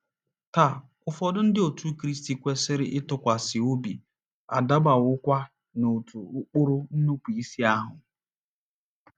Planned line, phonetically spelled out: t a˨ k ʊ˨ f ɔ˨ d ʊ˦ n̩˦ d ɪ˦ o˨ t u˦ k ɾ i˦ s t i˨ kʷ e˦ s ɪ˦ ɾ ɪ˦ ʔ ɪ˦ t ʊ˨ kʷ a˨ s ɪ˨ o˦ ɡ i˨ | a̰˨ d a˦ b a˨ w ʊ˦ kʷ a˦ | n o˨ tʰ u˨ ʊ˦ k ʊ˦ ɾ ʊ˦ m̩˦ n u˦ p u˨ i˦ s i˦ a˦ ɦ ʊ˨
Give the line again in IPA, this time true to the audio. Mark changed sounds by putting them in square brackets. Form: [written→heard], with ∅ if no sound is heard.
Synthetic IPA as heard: t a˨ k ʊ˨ f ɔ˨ d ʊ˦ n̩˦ d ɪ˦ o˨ t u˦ k ɾ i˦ s t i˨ kʷ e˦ s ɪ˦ ɾ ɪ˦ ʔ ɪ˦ t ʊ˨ kʷ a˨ s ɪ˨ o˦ [ɡ→b] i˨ | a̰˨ d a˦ b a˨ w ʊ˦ kʷ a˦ | n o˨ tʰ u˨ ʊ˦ [k→k͡p] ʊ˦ ɾ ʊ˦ [m̩˦→n̩˦] n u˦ p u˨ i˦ s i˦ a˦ ɦ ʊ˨